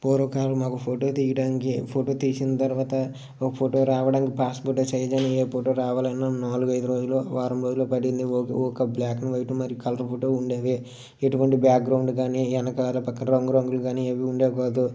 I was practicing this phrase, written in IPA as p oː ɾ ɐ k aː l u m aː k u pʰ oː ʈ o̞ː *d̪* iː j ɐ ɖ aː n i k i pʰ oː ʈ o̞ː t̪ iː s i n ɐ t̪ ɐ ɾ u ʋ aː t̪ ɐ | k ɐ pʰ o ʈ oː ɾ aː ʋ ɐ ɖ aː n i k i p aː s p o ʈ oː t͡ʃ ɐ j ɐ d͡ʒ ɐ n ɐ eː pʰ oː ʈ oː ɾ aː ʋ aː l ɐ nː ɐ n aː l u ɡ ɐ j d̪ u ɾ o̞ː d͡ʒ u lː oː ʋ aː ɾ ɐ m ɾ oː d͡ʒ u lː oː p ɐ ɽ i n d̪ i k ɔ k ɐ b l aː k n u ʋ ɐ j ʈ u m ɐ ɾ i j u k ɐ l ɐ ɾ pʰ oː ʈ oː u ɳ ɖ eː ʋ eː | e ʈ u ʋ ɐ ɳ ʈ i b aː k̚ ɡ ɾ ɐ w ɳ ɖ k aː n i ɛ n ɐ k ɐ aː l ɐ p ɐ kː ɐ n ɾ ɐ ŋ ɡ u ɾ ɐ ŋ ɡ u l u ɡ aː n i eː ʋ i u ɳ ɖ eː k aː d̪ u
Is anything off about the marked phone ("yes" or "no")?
yes